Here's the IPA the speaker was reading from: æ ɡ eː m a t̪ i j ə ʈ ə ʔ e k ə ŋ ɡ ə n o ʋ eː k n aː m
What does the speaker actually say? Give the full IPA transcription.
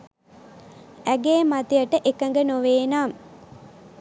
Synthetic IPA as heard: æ ɡ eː m a t̪ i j ə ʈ ə ʔ e k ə ŋ ɡ ə n o ʋ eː n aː m